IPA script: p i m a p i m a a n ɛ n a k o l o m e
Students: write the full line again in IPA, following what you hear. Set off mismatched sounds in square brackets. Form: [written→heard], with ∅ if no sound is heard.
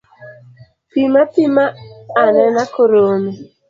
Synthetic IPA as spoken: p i m a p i m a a n ɛ n a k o [l→ɾ] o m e